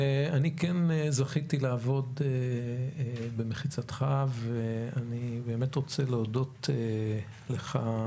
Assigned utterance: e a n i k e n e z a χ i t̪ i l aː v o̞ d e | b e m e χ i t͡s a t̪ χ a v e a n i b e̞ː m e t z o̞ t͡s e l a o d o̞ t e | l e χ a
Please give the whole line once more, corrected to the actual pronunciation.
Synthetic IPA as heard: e a n i k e n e z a χ i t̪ i l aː v o̞ d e | b e m e χ i t͡s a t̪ χ a v e a n i b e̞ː m e t ʁ o̞ t͡s e l e o d o̞ t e | l e χ a